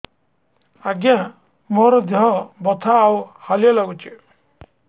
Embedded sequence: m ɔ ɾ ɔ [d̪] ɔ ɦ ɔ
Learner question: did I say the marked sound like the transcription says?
yes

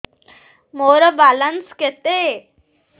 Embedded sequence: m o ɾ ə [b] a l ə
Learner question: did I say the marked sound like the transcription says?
yes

